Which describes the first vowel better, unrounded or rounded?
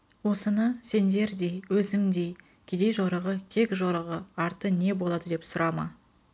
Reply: rounded